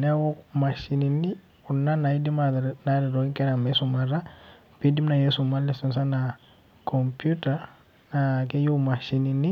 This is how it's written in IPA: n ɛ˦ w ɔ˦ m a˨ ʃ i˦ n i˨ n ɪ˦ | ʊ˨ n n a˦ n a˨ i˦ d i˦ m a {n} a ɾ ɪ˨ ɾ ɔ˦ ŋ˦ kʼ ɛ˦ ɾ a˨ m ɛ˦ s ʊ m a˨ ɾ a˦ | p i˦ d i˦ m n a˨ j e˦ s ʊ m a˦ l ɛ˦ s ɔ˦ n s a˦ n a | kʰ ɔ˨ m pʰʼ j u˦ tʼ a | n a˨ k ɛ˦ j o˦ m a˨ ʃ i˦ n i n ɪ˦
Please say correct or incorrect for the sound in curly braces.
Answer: correct